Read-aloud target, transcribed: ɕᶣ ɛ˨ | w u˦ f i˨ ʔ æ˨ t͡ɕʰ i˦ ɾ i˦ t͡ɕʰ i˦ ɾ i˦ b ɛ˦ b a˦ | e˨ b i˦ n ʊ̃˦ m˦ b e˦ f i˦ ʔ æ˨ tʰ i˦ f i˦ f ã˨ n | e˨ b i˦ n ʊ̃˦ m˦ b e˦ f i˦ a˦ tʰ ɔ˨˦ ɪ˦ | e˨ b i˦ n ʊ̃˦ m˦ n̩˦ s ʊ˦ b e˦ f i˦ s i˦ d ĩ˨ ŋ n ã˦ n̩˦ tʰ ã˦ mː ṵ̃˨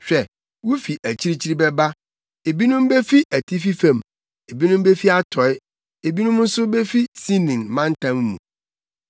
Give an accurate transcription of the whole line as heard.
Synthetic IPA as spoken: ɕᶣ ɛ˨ | w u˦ f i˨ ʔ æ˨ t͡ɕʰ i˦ ɾ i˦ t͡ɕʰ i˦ ɾ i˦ b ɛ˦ b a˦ | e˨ b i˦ n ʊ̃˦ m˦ b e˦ f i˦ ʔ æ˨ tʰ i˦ f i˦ f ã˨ m | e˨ b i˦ n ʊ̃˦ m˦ b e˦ f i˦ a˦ tʰ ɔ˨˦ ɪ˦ | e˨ b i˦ n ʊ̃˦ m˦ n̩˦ s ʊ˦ b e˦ f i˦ s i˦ n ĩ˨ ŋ m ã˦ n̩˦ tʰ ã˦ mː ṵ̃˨

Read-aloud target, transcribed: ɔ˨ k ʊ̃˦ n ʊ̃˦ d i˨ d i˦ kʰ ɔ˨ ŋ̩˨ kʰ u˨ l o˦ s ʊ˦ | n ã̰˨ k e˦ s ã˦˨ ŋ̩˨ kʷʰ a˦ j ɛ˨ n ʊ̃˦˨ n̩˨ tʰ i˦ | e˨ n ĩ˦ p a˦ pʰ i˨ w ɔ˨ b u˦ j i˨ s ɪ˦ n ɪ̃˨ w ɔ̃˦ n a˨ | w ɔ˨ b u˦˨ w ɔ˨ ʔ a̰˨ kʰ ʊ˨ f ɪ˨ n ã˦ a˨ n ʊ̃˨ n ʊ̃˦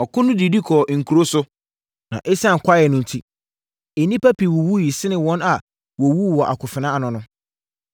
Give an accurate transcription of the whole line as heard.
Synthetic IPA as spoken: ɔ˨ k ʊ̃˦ n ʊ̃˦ d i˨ d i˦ kʰ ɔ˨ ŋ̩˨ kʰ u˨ ɾ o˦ s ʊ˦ | n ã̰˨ ʔ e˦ s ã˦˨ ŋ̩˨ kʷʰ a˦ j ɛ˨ n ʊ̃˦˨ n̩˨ tʰ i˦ | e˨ n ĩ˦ p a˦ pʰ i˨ w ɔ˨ w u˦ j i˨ s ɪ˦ n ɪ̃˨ w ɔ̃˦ n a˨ | w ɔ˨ w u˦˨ w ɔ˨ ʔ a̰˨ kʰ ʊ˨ f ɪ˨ n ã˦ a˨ n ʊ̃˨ n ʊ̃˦

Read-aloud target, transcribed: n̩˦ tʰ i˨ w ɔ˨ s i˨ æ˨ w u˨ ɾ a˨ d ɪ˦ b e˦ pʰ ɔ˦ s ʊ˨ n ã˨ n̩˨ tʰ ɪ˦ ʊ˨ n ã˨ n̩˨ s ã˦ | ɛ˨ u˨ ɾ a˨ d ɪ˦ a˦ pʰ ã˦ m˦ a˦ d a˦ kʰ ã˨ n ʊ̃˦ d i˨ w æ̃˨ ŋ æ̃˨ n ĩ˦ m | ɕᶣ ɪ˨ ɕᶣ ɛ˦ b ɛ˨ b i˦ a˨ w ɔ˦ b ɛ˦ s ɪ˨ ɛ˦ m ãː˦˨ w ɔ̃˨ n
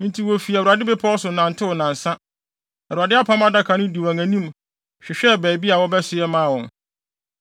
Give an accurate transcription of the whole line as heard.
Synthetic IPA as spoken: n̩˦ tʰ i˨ w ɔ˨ f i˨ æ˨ w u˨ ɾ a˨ d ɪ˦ b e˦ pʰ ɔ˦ s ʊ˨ n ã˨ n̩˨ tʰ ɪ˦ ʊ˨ n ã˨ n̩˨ s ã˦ | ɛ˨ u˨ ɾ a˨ d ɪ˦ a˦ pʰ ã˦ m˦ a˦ d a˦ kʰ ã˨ n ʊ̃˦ d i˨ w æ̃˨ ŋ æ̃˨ n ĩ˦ m | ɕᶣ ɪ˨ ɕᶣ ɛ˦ b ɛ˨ b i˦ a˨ w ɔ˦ b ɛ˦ s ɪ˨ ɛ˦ m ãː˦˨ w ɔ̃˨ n

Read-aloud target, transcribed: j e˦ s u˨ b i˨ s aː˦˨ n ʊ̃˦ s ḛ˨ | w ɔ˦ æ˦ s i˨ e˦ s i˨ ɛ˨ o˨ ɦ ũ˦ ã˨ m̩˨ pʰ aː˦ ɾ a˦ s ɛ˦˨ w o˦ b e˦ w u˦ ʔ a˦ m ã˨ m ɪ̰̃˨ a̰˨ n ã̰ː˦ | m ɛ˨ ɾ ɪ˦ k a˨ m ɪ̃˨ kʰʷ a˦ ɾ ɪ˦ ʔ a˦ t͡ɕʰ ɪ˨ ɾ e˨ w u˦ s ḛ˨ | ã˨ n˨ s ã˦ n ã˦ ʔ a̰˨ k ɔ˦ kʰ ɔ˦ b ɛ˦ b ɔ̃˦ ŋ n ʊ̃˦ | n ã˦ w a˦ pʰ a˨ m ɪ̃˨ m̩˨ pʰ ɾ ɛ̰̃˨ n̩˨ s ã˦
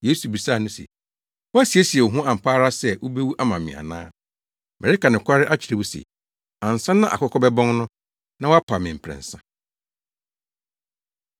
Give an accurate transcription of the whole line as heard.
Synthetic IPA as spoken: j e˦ s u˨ b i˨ s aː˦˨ n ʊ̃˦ s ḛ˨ | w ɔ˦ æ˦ s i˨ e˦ s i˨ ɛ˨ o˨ ɦ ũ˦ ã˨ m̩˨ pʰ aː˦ ɾ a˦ s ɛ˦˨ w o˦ b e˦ w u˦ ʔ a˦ m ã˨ m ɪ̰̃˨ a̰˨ n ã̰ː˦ | m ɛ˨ ɾ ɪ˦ k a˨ n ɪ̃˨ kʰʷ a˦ ɾ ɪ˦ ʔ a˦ t͡ɕʰ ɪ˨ ɾ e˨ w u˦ s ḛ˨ | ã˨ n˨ s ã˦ n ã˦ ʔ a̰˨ k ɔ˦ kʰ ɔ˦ b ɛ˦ b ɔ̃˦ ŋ n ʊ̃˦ | n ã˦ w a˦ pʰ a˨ m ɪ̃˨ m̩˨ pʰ ɾ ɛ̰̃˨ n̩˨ s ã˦

